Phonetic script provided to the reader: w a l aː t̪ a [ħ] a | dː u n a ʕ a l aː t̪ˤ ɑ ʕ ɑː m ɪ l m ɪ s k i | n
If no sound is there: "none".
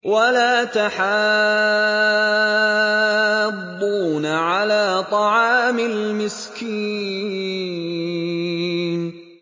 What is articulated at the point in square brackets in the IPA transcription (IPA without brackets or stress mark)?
ħ